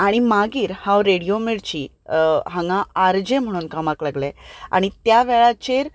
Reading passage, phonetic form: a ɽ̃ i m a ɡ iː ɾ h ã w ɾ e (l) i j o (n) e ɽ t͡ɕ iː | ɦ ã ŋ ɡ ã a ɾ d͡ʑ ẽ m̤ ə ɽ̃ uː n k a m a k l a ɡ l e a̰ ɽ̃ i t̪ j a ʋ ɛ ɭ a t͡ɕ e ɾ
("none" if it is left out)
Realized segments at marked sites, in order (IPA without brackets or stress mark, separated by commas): ɽ, m